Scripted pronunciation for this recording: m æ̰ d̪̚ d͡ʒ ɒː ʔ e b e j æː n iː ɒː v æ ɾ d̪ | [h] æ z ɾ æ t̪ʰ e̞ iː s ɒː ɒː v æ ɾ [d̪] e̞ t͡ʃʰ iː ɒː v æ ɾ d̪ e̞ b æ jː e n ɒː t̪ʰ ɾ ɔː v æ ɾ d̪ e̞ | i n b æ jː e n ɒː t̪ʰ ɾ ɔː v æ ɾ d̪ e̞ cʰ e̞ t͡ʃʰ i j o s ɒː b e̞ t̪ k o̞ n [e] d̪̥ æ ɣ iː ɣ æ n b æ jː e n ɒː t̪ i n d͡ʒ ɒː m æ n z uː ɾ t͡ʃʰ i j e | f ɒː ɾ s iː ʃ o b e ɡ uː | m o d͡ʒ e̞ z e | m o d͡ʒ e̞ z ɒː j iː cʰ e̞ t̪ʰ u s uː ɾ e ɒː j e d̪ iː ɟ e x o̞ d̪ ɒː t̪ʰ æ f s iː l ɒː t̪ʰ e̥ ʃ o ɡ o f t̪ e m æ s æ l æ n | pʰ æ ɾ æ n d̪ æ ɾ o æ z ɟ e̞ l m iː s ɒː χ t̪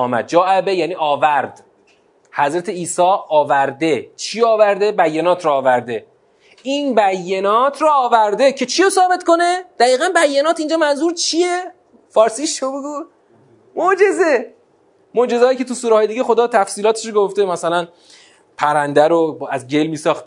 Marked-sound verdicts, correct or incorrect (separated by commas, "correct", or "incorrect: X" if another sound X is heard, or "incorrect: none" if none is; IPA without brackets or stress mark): correct, correct, correct